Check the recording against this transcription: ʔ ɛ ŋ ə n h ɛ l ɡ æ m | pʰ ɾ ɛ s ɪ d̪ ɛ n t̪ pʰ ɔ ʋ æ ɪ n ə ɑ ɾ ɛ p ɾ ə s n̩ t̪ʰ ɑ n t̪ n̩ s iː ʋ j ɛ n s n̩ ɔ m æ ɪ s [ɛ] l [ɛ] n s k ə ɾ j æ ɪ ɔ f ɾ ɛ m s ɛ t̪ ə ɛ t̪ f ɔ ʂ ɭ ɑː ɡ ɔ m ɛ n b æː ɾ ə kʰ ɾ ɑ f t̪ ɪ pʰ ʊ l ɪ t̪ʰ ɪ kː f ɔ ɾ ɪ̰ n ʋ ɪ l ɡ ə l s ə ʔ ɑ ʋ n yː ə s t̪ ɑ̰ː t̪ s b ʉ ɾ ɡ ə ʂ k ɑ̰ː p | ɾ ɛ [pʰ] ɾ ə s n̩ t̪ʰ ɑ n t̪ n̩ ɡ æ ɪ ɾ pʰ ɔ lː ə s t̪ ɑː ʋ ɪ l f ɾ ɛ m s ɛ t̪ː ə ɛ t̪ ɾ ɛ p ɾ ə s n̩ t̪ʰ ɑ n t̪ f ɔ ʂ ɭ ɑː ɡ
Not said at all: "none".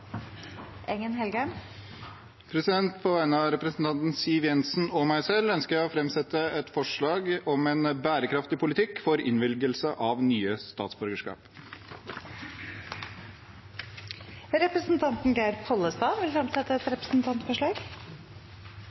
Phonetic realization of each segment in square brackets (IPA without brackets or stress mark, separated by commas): ɛ, œ, p